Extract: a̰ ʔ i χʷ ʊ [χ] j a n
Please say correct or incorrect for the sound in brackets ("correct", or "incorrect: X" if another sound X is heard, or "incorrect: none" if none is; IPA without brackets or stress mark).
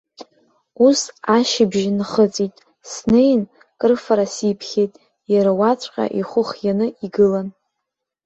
correct